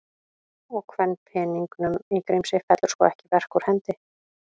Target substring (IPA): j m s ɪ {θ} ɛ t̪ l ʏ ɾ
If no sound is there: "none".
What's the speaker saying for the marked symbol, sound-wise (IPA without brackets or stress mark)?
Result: f